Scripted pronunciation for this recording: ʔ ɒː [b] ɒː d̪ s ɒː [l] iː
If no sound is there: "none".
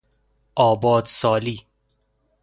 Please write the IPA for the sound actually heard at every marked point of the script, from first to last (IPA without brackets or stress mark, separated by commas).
b, l